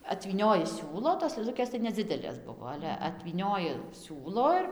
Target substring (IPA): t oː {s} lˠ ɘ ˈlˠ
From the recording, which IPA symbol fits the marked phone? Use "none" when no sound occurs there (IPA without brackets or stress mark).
s